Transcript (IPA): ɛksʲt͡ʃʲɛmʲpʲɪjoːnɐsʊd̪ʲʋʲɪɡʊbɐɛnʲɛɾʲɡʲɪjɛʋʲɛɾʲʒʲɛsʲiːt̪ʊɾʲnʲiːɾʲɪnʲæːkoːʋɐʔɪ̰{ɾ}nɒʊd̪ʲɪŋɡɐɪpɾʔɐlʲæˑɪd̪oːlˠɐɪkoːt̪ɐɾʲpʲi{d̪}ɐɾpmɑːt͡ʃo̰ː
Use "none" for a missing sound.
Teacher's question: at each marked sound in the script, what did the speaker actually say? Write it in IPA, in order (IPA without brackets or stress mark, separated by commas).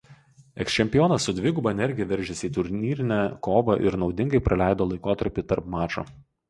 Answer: ɾ, t̪